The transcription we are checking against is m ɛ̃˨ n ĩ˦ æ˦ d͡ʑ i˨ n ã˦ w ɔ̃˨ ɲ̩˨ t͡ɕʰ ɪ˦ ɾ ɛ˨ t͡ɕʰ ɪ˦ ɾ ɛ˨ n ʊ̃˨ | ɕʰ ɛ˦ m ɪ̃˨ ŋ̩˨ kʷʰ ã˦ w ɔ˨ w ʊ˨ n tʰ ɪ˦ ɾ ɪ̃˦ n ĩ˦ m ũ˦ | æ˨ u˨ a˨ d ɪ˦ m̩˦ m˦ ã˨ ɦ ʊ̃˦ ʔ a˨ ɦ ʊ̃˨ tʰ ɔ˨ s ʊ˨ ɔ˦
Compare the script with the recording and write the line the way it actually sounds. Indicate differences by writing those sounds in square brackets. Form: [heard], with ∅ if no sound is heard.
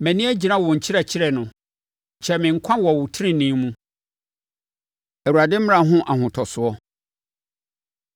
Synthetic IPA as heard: m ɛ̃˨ n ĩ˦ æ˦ d͡ʑ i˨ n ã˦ w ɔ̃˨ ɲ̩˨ t͡ɕʰ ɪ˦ ɾ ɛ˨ t͡ɕʰ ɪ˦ ɾ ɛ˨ n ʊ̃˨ | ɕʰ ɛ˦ m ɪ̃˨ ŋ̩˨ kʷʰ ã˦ w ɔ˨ w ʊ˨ [∅] tʰ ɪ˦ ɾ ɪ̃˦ n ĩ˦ m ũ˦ | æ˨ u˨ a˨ d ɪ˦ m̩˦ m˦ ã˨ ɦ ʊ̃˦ ʔ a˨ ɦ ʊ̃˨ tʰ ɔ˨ s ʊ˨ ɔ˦